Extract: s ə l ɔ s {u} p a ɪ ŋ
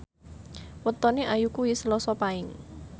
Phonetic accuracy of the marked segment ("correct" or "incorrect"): incorrect